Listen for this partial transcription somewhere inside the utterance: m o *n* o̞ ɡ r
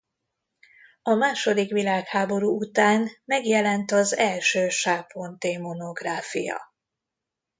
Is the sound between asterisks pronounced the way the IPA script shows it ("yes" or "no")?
yes